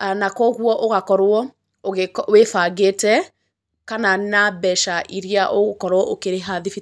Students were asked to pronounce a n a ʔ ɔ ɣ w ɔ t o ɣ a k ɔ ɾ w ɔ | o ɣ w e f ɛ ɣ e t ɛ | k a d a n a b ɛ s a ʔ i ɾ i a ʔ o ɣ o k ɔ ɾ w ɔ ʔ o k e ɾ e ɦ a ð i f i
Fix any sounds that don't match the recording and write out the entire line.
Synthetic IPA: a n a k ɔ ɣ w ɔ ʔ o ɣ a k ɔ ɾ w ɔ | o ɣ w e f a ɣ e t ɛ | k a n a n a b ɛ ʃ a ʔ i ɾ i a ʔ o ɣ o k ɔ ɾ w ɔ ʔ o k e ɾ e ɦ a ð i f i

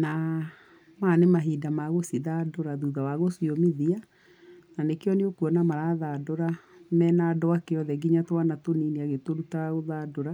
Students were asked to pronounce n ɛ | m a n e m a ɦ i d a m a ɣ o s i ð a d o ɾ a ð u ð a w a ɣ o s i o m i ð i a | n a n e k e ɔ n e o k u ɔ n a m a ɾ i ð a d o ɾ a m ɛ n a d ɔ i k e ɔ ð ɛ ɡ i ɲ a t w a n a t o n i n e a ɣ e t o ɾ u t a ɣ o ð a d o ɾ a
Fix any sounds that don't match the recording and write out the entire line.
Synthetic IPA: n a | m a n e m a ɦ i d a m a ɣ o s i ð a d o ɾ a ð u ð a w a ɣ o s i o m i ð i a | n a n e k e ɔ n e o k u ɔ n a m a ɾ a ð a d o ɾ a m ɛ n a d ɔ a k e ɔ ð ɛ ɡ i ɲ a t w a n a t o n i n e a ɣ e t o ɾ u t a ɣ o ð a d o ɾ a

